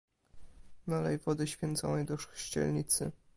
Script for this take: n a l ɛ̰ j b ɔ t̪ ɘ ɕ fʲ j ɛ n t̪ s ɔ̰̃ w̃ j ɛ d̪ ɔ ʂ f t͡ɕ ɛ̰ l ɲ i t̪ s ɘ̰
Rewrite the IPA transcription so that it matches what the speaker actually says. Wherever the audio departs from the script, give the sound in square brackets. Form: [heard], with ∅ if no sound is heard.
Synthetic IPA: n a l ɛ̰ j [v] ɔ [d̪] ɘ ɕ fʲ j ɛ n t̪ s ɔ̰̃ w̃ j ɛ d̪ ɔ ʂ [ɕ] t͡ɕ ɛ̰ l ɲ i t̪ s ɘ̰